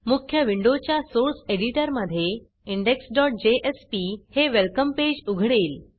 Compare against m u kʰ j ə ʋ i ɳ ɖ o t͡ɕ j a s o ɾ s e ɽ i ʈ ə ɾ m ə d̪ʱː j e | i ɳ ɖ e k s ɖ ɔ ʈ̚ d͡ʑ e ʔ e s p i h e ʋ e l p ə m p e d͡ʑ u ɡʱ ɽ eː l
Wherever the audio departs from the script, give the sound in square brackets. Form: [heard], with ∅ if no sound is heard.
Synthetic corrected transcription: m u kʰ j ə ʋ i ɳ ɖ o t͡ɕ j a s o ɾ s e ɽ i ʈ ə ɾ m ə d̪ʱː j e | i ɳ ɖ e k s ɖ ɔ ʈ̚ d͡ʑ e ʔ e s p i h e ʋ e l [k] ə m p e d͡ʑ u ɡʱ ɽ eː l